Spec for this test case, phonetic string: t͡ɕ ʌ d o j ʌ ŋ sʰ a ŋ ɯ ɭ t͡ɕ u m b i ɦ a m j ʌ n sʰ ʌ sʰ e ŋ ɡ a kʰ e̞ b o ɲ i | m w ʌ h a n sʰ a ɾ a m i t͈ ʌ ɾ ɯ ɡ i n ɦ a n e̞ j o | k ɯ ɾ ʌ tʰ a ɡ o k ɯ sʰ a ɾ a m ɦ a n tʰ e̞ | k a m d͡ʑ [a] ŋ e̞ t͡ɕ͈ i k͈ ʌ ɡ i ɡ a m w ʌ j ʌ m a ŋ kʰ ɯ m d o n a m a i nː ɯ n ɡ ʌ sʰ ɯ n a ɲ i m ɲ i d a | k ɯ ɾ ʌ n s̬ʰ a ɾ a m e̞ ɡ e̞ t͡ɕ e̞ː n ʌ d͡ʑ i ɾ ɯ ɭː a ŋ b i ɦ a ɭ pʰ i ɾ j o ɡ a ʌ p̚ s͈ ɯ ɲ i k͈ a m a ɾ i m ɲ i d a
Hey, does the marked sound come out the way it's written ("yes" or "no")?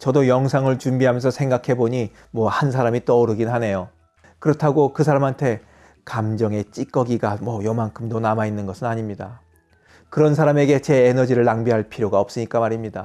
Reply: no